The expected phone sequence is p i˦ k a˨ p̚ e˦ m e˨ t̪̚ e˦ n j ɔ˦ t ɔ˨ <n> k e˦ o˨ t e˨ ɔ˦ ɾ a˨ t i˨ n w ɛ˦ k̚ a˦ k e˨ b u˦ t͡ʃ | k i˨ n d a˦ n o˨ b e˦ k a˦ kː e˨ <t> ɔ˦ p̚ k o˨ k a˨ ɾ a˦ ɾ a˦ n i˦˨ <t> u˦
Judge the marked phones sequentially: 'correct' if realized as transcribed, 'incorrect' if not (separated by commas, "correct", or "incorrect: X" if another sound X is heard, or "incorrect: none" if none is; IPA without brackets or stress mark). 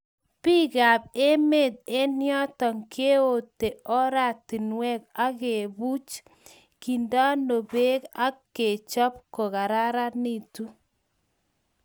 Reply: incorrect: ŋ, incorrect: t͡ʃ, correct